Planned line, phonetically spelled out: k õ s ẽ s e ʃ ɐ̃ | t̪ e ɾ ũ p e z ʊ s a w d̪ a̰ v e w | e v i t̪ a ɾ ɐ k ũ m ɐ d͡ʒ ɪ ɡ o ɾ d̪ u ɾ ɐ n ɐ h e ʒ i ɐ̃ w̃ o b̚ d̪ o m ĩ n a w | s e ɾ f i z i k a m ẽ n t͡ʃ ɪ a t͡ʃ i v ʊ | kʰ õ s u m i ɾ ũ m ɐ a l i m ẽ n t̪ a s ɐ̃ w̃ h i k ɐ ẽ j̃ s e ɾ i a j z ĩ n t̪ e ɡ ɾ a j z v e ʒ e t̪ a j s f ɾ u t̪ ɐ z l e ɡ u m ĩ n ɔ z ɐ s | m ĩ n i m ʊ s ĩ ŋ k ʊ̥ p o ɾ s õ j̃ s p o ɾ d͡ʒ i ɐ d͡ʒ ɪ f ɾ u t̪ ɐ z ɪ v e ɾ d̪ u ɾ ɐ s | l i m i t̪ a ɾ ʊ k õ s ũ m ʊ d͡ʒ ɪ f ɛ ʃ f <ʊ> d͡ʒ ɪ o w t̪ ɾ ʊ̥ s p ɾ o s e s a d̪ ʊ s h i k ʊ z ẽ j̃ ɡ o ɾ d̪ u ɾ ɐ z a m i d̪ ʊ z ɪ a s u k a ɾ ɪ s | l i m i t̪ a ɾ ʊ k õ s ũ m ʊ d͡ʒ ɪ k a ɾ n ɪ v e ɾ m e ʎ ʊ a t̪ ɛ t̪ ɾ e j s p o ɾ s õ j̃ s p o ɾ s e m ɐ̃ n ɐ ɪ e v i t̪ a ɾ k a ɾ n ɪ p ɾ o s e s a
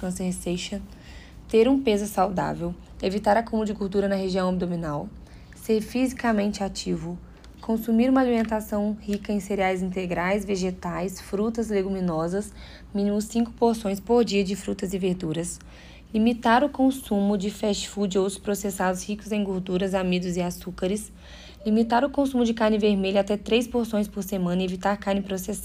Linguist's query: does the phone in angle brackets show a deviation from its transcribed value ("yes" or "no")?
yes